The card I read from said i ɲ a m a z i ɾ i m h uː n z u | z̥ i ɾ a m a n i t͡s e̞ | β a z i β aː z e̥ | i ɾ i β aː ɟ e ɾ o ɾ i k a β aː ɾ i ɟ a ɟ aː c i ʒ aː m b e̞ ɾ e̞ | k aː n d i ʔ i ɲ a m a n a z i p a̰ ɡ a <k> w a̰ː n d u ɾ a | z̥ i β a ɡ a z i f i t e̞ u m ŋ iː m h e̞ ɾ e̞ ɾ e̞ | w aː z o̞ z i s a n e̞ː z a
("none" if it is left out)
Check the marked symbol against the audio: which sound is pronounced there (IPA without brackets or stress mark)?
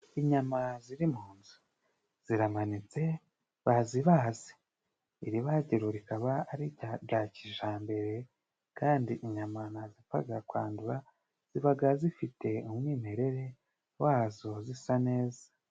k